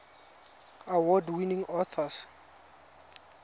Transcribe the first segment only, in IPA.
a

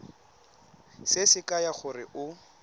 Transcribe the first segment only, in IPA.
s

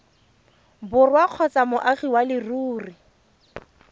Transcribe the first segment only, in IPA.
b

